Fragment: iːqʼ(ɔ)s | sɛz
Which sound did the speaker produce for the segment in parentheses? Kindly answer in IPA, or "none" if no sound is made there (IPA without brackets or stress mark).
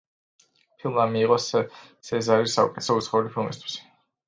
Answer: ɔ